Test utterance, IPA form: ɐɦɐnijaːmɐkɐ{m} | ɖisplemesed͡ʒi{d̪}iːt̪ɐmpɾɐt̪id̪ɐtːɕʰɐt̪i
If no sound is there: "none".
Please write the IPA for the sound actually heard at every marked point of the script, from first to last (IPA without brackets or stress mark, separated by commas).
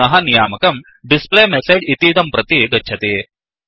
m, t̪